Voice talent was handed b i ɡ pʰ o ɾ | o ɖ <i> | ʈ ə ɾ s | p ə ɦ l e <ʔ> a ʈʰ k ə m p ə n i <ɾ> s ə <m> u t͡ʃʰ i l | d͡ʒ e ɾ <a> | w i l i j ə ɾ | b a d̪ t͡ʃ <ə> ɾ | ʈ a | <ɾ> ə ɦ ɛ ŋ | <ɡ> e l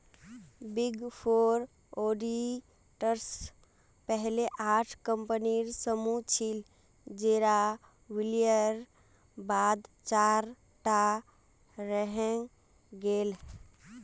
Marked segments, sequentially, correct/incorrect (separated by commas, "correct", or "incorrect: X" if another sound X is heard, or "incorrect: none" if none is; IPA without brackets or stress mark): correct, correct, correct, correct, correct, incorrect: a, correct, correct